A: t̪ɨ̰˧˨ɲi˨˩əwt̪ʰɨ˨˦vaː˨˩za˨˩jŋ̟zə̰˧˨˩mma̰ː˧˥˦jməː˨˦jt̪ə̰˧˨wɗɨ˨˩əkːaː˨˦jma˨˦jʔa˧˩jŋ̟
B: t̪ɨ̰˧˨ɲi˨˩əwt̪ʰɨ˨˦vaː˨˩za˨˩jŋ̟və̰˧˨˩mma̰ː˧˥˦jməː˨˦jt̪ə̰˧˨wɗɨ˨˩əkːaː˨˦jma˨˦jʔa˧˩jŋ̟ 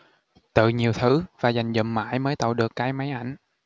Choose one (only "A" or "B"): A